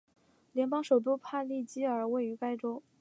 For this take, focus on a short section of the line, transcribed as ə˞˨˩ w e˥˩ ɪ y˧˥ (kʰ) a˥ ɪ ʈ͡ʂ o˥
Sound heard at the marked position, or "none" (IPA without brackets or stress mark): k